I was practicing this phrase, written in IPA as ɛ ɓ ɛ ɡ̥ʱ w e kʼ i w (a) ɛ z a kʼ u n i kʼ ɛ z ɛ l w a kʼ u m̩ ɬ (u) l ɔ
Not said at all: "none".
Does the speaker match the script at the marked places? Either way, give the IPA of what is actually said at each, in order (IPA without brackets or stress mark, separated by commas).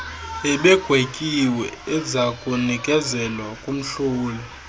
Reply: ɛ, uː